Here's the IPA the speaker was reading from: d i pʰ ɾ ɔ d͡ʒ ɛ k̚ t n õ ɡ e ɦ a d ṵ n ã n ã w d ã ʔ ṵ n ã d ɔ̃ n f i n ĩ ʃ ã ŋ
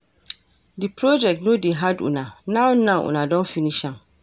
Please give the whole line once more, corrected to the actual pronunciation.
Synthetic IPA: d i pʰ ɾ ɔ d͡ʒ ɛ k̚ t n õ d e ɦ a d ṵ n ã n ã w n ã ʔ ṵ n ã d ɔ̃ n f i n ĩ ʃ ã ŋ